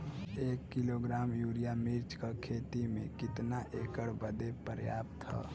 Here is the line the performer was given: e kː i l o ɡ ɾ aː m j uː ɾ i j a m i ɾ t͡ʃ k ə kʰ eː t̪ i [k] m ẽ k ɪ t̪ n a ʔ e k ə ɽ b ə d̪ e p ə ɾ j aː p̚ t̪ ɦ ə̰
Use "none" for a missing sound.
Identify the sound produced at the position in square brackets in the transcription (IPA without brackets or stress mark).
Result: none